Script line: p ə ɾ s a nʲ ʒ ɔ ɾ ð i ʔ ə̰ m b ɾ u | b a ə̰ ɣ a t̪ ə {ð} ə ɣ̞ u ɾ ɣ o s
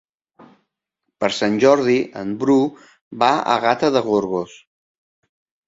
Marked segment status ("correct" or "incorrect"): correct